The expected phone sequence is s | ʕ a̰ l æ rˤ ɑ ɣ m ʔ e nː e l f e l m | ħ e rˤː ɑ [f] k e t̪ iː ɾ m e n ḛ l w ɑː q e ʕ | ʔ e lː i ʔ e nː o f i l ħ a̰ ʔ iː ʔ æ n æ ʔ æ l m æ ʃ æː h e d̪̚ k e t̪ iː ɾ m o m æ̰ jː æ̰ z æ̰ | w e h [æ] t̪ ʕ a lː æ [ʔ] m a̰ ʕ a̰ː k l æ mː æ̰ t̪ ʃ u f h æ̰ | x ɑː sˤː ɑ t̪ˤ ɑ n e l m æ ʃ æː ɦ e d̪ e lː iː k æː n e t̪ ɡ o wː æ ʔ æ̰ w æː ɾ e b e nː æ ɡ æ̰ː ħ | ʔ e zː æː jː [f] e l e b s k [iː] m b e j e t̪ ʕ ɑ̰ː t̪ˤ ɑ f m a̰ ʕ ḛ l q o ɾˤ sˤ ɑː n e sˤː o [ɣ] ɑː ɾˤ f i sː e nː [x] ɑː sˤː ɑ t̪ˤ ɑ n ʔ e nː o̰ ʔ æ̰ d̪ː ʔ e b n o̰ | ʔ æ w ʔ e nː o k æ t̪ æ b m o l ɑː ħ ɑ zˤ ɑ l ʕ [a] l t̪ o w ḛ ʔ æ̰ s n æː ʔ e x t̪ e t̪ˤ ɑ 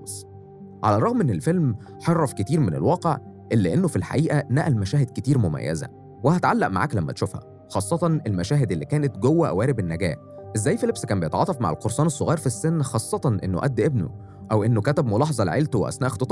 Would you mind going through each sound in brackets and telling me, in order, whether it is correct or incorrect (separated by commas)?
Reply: correct, correct, correct, correct, incorrect, correct, correct, incorrect